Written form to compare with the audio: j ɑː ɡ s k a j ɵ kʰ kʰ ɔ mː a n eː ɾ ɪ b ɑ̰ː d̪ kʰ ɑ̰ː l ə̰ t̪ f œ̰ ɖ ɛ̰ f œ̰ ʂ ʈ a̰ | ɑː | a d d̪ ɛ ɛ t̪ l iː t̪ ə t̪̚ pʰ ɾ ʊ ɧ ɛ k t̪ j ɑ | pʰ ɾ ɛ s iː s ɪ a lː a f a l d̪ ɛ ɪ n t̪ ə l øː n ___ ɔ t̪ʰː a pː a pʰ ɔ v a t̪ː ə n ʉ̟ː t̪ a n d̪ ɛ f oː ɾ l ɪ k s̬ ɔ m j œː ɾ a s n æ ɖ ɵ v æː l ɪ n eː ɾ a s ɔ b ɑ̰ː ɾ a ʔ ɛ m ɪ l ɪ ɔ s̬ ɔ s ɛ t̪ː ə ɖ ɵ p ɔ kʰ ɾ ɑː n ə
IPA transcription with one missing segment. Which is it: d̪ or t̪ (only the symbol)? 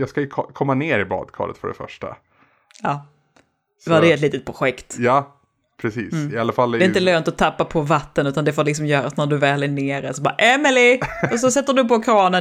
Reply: t̪